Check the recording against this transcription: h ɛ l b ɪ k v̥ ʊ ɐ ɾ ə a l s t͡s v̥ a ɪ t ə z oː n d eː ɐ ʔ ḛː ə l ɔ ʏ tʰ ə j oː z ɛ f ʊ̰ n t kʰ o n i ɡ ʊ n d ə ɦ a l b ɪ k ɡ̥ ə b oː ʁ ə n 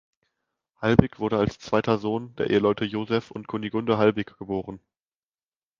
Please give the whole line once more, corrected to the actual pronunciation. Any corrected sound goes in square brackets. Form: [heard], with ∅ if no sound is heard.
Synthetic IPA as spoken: h [a] l b ɪ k v̥ ʊ ɐ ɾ ə a l s t͡s v̥ a ɪ t [ɐ] z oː n d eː ɐ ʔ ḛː ə l ɔ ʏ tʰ ə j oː z ɛ f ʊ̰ n t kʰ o n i ɡ ʊ n d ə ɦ a l b ɪ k ɡ̥ ə b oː ʁ ə n

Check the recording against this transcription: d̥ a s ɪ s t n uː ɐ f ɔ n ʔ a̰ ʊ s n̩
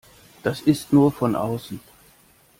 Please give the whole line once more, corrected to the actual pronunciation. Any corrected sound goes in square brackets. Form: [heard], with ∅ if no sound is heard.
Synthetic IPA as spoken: d̥ a s ɪ s t n uː ɐ f ɔ n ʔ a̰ ʊ s n̩

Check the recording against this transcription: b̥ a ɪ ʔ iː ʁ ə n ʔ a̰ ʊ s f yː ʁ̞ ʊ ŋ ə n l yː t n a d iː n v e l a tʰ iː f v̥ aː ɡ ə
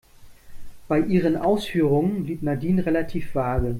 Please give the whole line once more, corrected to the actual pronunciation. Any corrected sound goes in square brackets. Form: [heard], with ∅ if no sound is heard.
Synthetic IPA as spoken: b̥ a ɪ ʔ iː ʁ ə n ʔ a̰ ʊ s f yː ʁ̞ ʊ ŋ ə n l [iː] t n a d iː n [ʁ] e l a tʰ iː f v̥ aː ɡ ə

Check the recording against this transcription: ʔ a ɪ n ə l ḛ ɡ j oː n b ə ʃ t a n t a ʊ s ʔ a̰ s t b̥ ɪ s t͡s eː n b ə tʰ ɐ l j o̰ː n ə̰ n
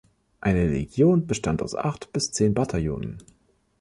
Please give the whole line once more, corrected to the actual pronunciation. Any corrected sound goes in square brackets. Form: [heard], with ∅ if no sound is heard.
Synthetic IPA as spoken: ʔ a ɪ n ə l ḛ ɡ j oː n b ə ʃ t a n t a ʊ s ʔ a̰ [χ] t b̥ ɪ s t͡s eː n b [a] tʰ [a] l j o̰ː n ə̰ n

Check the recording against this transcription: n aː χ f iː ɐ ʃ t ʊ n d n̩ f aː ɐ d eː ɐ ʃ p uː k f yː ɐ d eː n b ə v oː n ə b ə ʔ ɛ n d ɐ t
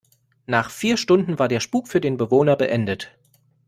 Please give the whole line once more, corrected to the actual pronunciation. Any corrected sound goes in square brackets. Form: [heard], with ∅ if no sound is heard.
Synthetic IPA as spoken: n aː χ f iː ɐ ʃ t ʊ n d n̩ [v] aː ɐ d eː ɐ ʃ p uː k f yː ɐ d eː n b ə v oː n [ɐ] b ə ʔ ɛ n d [ə] t

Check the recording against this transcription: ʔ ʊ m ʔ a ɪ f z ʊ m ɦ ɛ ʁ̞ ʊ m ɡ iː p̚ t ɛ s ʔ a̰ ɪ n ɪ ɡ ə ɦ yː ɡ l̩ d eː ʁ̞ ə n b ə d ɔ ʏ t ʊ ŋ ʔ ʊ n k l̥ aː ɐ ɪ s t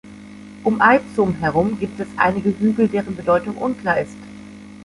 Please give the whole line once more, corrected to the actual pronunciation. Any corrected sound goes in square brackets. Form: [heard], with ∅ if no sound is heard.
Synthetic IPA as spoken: ʔ ʊ m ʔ a ɪ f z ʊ m ɦ ɛ ʁ̞ ʊ m ɡ iː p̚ t ɛ s ʔ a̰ ɪ n ɪ ɡ ə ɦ yː ɡ l̩ d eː ʁ̞ ə n b ə d ɔ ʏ t ʊ ŋ ʔ ʊ n k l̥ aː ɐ ɪ s t

